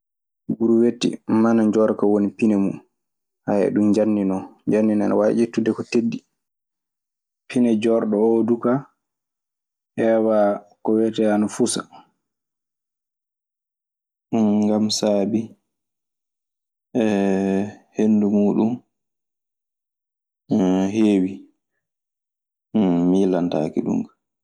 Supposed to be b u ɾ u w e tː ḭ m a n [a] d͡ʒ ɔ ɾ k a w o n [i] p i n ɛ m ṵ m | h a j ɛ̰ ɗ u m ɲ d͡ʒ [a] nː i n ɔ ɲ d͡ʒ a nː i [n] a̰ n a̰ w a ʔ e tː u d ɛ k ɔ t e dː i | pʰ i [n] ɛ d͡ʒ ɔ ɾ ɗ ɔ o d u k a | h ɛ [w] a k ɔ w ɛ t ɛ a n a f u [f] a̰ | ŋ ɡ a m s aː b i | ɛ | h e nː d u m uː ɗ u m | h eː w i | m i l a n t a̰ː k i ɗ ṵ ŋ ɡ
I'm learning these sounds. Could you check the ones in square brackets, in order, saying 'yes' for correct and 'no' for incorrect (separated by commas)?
yes, yes, yes, yes, yes, yes, no